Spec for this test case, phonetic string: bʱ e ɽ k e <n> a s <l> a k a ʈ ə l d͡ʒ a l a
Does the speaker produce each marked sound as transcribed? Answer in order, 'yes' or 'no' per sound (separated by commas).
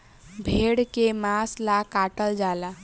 no, yes